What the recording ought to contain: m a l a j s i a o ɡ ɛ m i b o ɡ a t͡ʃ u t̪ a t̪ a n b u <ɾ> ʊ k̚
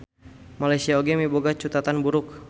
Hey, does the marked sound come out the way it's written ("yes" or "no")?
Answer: yes